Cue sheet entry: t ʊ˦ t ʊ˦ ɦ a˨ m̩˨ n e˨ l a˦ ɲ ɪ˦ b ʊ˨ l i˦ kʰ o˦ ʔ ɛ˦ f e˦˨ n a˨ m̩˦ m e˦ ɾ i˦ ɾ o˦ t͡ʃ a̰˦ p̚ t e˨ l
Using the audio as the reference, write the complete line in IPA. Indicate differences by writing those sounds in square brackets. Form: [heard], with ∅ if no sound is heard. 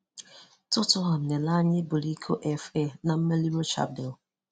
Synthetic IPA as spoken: t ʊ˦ t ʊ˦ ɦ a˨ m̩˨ n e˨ l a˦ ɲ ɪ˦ b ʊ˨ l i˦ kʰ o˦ ʔ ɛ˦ f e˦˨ n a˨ m̩˦ m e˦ [l] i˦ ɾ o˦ t͡ʃ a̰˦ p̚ [d] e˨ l